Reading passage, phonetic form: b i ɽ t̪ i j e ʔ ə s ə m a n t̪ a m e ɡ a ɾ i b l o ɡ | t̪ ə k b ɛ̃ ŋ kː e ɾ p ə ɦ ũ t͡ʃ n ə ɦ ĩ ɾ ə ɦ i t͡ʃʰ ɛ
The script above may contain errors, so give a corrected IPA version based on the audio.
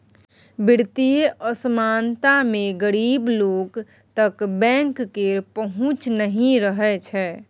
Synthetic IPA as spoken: b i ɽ t̪ i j e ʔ ə s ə m a n t̪ a m e ɡ ə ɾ i b l o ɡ | t̪ ə k b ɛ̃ ŋ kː e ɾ p ə ɦ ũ t͡ʃ n ə ɦ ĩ ɾ ə ɦ ɛ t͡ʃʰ ɛ